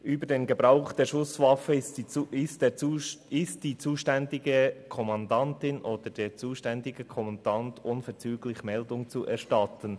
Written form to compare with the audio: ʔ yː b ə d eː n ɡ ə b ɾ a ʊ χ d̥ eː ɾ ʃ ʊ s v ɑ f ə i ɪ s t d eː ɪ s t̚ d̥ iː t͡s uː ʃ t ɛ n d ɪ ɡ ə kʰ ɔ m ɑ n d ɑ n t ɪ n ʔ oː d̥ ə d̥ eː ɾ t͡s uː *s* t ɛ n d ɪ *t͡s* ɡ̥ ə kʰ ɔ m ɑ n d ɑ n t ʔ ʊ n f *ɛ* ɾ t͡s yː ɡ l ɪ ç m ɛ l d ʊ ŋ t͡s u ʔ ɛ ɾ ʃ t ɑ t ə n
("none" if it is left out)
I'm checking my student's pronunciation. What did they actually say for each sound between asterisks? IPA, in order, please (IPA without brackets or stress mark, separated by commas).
ʃ, none, ɛ